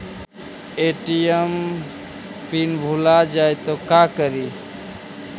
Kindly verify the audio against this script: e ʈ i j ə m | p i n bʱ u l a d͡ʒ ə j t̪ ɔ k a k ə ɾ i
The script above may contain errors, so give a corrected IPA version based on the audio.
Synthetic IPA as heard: e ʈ i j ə m | p i n bʱ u l a d͡ʒ a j t̪ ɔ k a k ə ɾ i